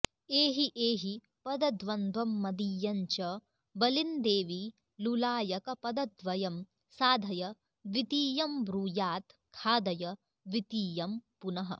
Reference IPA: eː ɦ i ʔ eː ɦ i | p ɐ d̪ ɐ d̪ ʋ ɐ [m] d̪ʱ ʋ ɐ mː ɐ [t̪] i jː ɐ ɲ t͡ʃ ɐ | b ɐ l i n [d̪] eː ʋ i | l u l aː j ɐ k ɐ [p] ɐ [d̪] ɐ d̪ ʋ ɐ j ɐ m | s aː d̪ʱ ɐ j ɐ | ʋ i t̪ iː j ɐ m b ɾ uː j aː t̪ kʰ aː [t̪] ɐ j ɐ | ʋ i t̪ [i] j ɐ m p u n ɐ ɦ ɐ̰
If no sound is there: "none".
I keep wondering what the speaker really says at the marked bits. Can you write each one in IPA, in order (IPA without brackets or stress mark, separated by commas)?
n, d̪, d̪, p, d̪, d̪, iː